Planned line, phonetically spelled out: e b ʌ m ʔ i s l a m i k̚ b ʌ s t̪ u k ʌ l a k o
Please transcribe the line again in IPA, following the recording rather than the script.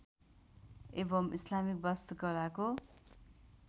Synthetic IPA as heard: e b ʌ m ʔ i s l a m i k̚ b ʌ s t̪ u k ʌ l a k o